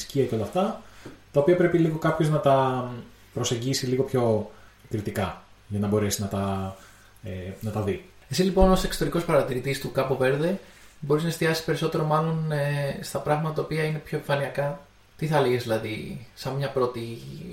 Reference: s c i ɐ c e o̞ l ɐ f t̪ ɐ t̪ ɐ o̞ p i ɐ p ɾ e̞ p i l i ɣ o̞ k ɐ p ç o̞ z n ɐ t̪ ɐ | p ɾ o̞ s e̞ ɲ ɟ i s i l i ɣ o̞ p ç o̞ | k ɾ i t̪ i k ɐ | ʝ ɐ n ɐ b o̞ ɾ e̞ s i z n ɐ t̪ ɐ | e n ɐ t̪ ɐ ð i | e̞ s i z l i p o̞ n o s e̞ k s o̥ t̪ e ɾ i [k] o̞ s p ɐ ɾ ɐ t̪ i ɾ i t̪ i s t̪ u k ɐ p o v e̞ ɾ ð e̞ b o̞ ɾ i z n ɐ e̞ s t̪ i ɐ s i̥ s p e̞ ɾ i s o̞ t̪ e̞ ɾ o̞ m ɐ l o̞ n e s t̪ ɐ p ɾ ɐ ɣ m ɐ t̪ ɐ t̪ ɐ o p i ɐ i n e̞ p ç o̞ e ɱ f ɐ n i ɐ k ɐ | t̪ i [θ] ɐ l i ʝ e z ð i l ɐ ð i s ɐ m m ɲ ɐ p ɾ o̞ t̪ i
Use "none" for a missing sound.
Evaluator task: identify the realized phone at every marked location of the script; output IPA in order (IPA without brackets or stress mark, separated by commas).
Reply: k, θ